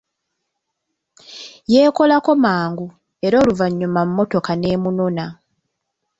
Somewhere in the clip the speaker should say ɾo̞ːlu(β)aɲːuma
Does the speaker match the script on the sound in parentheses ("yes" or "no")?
no